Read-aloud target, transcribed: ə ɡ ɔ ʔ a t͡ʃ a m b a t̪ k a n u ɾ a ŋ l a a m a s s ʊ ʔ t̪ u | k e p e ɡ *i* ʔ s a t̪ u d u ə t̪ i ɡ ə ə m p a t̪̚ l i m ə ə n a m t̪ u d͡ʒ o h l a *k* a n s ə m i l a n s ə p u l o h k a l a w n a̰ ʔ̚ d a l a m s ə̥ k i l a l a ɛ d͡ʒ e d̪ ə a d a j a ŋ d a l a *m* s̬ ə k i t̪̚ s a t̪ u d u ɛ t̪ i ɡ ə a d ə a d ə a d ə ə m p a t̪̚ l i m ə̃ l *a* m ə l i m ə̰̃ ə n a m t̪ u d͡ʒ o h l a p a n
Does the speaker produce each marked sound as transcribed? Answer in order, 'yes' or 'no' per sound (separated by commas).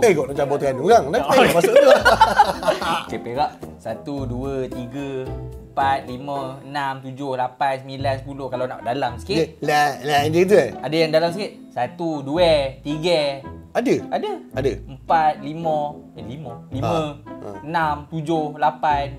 no, no, yes, no